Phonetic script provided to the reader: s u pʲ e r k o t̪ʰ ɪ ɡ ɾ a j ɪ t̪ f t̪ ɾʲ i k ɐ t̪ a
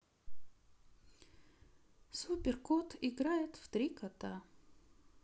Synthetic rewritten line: s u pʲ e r k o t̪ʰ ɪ ɡ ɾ a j ɪ t̪ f t̪ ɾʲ i k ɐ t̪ a